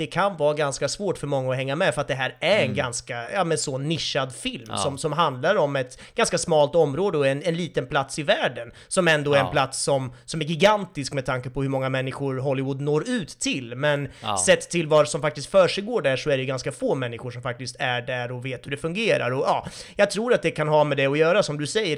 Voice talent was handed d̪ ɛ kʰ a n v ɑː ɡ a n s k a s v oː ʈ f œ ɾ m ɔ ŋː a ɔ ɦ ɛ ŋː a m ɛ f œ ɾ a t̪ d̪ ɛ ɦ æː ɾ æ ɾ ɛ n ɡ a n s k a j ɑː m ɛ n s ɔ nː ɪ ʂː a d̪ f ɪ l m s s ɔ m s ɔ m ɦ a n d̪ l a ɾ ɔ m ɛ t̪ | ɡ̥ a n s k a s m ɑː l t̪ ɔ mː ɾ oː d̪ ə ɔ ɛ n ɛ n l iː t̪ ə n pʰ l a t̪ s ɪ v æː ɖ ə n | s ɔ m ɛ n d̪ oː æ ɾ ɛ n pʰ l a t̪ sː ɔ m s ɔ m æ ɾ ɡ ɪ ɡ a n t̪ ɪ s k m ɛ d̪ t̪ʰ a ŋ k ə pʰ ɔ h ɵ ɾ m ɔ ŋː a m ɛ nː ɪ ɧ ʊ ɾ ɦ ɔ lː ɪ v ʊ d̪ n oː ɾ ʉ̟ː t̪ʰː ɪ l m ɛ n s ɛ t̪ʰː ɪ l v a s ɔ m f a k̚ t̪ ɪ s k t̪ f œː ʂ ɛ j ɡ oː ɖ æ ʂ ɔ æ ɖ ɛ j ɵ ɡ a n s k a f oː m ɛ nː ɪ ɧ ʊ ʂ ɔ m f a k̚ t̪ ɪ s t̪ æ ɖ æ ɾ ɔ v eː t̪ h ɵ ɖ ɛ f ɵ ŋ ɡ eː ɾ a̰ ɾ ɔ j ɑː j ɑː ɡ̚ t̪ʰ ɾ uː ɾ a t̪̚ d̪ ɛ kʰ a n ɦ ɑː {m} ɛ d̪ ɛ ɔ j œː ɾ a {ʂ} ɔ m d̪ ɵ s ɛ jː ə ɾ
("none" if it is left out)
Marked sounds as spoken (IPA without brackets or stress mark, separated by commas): m, s